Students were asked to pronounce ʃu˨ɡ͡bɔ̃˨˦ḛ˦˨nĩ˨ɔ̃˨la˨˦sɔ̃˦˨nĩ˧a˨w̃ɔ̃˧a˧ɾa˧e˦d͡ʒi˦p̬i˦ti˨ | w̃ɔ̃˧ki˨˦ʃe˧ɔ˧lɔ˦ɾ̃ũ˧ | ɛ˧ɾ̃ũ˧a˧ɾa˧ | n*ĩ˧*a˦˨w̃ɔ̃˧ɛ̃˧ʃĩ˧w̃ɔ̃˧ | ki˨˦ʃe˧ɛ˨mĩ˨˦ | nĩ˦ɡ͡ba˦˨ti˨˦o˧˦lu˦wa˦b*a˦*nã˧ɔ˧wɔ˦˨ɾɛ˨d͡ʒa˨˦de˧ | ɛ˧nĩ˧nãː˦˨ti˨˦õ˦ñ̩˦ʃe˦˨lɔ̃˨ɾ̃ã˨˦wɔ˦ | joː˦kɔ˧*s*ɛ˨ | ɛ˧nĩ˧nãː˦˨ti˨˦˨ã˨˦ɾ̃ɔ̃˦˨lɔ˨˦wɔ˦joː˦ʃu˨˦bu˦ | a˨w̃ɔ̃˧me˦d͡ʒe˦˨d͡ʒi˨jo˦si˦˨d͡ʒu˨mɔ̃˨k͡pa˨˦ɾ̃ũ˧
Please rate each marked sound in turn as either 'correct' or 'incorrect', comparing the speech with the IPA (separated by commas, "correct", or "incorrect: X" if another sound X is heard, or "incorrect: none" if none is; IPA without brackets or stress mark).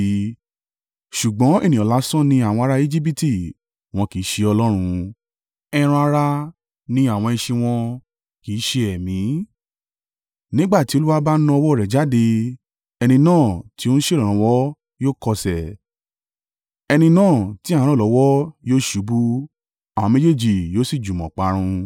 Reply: correct, correct, correct